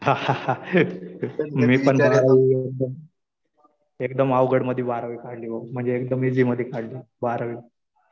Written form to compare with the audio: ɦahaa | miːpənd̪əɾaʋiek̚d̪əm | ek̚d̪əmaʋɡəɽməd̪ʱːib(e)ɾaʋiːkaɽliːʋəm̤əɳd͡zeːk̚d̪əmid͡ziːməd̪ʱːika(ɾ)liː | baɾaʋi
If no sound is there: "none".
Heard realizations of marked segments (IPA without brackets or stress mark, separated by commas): a, ɽ